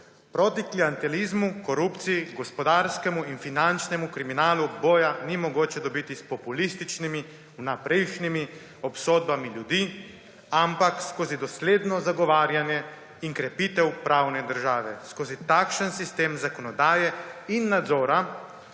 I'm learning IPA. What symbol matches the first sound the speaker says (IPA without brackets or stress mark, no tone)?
p